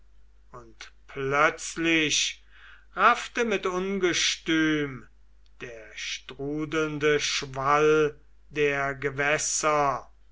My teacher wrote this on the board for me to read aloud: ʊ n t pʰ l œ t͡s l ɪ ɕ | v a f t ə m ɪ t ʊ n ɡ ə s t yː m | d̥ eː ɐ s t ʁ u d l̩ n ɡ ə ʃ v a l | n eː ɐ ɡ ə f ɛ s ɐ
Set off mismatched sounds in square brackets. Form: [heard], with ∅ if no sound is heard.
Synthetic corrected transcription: ʊ n t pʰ l œ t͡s l ɪ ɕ | [ʁ] a f t ə m ɪ t ʊ n ɡ ə [ʃ] t yː m | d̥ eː ɐ [ʃ] t ʁ [uː] d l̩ n [d] ə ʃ v a l | [d] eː ɐ ɡ ə [v] ɛ s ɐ

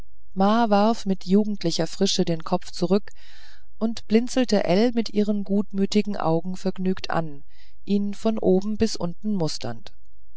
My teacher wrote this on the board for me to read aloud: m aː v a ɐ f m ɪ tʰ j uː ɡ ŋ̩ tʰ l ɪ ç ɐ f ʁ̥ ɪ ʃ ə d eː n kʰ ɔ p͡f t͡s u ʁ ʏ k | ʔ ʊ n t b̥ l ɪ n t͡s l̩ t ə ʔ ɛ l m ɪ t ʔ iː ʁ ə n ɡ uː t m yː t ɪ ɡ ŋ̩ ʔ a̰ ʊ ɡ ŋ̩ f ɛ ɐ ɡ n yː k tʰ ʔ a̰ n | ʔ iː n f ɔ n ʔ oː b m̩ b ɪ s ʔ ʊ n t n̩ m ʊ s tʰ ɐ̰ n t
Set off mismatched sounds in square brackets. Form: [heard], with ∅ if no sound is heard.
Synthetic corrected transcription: m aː v a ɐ f m ɪ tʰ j uː ɡ ŋ̩ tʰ l ɪ ç ɐ f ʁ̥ ɪ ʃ ə d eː n kʰ ɔ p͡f t͡s u ʁ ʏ k | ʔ ʊ n t b̥ l ɪ n t͡s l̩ t ə ʔ ɛ l m ɪ t ʔ iː ʁ ə n ɡ uː t m yː t ɪ ɡ ŋ̩ ʔ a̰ ʊ ɡ ŋ̩ f ɛ ɐ ɡ n yː k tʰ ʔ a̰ n | ʔ iː n f ɔ n ʔ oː b m̩ b ɪ s ʔ ʊ n t n̩ m ʊ s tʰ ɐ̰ n t

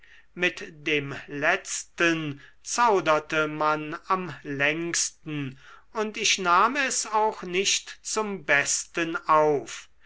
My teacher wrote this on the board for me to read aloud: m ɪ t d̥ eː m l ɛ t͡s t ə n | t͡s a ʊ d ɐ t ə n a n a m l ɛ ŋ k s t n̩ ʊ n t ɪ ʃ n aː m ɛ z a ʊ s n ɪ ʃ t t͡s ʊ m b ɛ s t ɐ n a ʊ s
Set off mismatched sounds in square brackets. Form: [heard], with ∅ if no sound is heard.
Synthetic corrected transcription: m ɪ t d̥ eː m l ɛ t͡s t ə n | t͡s a ʊ d ɐ t ə [m] a n a m l ɛ ŋ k s t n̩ ʊ n t ɪ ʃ n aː m ɛ [s] a ʊ [x] n ɪ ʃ t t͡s ʊ m b ɛ s t [ə] n a ʊ [f]

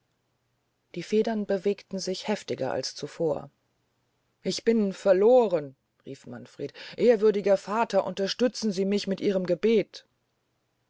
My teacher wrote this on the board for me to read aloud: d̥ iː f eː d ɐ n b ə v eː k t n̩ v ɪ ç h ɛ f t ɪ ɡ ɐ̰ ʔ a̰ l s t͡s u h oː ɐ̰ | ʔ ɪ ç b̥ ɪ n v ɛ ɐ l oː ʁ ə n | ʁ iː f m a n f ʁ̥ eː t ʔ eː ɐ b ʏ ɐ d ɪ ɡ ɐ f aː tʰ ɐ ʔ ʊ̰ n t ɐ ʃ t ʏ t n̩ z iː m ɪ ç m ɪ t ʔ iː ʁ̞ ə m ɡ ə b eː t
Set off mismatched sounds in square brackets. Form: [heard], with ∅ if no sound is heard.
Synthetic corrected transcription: d̥ iː f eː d ɐ n b ə v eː k t n̩ [z] ɪ ç h ɛ f t ɪ ɡ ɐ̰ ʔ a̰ l s t͡s u [f] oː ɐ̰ | ʔ ɪ ç b̥ ɪ n [f] ɛ ɐ l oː ʁ ə n | ʁ iː f m a n f ʁ̥ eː t ʔ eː ɐ [v] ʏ ɐ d ɪ ɡ ɐ f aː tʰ ɐ ʔ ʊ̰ n t ɐ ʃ t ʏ [t͡s] n̩ z iː m ɪ ç m ɪ t ʔ iː ʁ̞ ə m ɡ ə b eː t

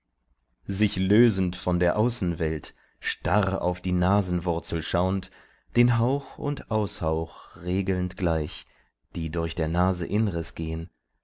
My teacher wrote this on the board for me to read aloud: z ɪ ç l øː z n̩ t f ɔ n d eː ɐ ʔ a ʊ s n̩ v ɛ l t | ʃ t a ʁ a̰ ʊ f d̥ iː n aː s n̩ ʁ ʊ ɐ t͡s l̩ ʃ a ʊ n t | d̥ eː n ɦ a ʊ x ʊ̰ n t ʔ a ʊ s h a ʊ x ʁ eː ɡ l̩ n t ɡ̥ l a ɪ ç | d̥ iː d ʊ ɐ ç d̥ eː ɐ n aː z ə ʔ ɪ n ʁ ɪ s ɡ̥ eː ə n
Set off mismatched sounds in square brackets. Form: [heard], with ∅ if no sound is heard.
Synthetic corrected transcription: z ɪ ç l øː z n̩ t f ɔ n d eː ɐ ʔ a ʊ s n̩ v ɛ l t | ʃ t a ʁ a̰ ʊ f d̥ iː n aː [z] n̩ [v] ʊ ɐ t͡s l̩ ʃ a ʊ n t | d̥ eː n ɦ a ʊ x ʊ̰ n t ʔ a ʊ s h a ʊ x ʁ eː ɡ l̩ n t ɡ̥ l a ɪ ç | d̥ iː d ʊ ɐ ç d̥ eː ɐ n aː z ə ʔ ɪ n ʁ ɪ s ɡ̥ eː ə n

